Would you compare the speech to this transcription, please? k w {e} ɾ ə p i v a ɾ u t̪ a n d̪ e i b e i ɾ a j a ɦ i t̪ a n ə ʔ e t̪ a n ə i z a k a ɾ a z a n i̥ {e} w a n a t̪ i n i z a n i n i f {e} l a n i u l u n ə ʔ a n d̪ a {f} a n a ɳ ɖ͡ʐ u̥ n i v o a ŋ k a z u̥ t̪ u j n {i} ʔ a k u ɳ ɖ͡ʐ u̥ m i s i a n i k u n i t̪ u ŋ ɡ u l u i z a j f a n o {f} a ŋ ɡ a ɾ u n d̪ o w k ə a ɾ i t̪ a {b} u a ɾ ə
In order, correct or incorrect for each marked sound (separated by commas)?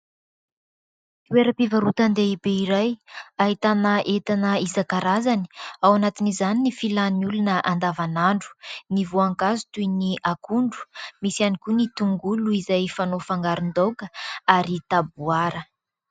correct, incorrect, incorrect, incorrect, correct, correct, correct